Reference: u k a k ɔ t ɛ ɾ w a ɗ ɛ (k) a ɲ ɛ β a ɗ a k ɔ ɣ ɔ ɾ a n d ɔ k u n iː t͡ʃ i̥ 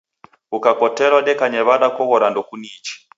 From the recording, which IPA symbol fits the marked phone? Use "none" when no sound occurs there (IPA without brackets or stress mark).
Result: k